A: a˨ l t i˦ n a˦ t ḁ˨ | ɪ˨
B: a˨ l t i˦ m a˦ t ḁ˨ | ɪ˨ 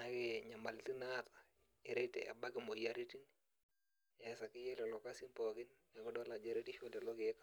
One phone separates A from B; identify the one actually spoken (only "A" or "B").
A